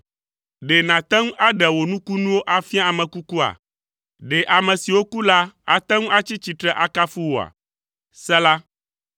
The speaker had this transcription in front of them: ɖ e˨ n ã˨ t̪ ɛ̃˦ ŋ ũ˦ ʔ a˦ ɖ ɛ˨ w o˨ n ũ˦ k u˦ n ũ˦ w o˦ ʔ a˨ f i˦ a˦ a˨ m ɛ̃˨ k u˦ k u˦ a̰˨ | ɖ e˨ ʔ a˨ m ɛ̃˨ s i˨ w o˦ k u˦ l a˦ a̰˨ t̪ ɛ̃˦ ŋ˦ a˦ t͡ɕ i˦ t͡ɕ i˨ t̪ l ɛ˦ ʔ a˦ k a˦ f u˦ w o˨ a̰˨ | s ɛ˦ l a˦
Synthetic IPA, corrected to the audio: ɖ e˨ n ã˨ t̪ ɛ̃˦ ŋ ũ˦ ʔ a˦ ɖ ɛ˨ w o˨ n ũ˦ k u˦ n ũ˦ w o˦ ʔ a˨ f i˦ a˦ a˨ m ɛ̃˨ k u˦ k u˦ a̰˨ | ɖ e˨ ʔ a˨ m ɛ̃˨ s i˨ w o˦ k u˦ l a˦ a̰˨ t̪ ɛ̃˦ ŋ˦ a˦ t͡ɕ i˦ t͡ɕ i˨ t̪ ɾ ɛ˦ ʔ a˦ k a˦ f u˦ w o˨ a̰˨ | s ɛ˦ l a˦